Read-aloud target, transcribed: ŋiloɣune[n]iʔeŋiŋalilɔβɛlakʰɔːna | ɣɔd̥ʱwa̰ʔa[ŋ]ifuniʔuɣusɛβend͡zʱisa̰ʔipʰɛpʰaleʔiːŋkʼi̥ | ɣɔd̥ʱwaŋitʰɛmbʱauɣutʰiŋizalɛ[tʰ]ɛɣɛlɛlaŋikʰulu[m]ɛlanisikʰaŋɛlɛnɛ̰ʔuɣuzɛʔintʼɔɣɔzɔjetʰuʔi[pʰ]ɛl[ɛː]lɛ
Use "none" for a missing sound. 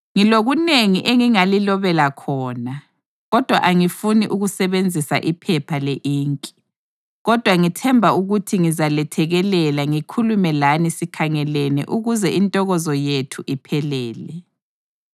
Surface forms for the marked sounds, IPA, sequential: ŋ, ŋ, tʰ, m, pʰ, ɛː

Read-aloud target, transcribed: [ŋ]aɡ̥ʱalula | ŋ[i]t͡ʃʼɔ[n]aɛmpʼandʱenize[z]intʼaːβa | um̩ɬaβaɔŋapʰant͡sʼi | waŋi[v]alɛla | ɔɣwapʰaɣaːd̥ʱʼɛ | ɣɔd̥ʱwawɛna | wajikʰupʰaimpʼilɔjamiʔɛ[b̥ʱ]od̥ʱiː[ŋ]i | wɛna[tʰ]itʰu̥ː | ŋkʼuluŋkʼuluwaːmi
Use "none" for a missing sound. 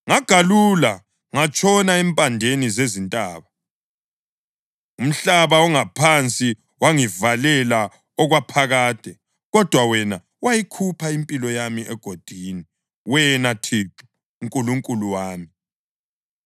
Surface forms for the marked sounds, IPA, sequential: ŋ, a, n, z, v, ɡ̥ʱ, n, tʰ

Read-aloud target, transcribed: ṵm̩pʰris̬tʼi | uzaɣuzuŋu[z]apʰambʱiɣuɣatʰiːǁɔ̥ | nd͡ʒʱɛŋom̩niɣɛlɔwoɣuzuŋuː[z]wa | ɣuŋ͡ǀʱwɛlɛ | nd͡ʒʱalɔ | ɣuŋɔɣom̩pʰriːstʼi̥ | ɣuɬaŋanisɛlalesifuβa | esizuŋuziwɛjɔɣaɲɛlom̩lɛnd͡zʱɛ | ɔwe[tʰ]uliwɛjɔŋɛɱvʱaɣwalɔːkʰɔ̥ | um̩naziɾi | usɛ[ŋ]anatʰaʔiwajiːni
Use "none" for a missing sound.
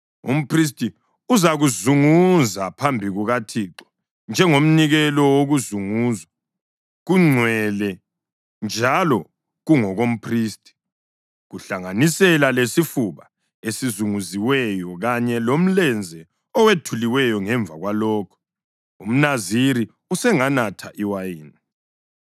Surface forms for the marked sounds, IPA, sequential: z, z, tʰ, ŋ

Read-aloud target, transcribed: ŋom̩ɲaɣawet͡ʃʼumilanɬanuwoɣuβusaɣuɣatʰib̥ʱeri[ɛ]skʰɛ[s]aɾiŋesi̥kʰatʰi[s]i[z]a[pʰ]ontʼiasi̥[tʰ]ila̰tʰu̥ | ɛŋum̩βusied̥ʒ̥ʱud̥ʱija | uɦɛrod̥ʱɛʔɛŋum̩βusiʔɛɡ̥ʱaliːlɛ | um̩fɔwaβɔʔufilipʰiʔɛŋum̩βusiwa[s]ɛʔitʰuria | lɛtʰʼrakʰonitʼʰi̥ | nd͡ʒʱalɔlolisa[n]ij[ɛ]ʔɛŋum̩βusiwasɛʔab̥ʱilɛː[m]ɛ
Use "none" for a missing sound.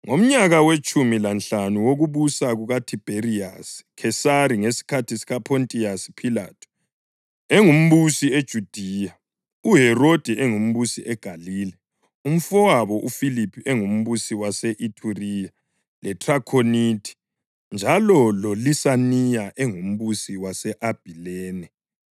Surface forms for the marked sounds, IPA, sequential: a, s, s, ɣ, pʰ, pʰ, s, n, a, n

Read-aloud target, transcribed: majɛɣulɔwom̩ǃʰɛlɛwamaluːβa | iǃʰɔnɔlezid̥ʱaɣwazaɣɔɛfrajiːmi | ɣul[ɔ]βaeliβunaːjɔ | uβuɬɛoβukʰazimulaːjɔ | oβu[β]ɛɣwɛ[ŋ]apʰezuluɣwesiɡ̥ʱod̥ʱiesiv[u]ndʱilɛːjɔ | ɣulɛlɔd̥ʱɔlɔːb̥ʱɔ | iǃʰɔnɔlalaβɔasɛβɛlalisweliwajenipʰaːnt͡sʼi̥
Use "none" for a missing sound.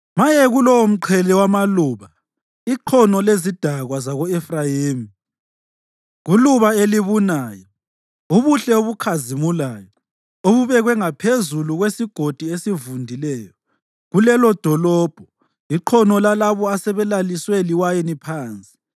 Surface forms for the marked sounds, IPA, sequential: u, β, ŋ, u

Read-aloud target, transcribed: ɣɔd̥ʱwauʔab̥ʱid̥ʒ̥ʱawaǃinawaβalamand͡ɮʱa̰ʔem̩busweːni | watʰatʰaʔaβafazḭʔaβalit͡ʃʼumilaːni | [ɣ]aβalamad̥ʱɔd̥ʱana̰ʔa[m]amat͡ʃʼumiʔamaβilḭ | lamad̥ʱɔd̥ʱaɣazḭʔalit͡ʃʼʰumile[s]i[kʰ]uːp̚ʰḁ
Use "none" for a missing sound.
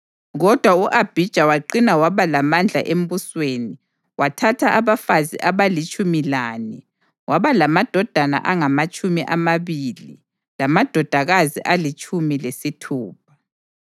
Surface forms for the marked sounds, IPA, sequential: w, ŋ, s, tʰ

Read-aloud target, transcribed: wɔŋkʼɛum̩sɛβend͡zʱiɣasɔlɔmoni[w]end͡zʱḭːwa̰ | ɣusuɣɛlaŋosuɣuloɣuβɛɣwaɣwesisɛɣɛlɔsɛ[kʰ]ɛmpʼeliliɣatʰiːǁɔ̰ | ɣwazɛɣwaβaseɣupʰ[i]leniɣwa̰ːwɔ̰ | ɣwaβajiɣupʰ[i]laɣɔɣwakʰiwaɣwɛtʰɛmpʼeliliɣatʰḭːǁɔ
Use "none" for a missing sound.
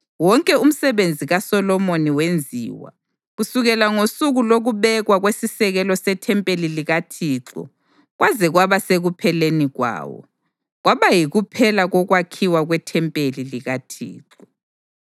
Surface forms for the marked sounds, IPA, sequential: w, tʰ, ɛ, ɛ

